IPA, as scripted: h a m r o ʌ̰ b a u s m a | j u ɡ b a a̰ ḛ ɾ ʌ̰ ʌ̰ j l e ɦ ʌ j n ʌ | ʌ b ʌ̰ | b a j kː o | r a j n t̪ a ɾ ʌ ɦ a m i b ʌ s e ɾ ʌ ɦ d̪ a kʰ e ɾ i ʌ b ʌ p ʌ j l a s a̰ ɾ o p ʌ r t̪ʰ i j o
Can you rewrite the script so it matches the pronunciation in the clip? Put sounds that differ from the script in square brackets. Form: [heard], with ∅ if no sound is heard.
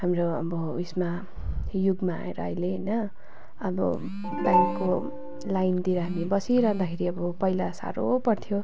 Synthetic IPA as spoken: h a m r o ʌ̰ b [ʌ] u s m a | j u ɡ [m] a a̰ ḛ ɾ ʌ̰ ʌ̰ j l e ɦ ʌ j n ʌ | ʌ b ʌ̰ | b a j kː o | [l] a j n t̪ [i] ɾ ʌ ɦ a m i b ʌ s [i] ɾ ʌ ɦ d̪ a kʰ e ɾ i ʌ b ʌ p ʌ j l a s a̰ ɾ o p ʌ r t̪ʰ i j o